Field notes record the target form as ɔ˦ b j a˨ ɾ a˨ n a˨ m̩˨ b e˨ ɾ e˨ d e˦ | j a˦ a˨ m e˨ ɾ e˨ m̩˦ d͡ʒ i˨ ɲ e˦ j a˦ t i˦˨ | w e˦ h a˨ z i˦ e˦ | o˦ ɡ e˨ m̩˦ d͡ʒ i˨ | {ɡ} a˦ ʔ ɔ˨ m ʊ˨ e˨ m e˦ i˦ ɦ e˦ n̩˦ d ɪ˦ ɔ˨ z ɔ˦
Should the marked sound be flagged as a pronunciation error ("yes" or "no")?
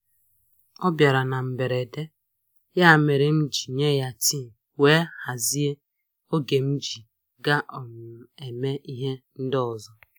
no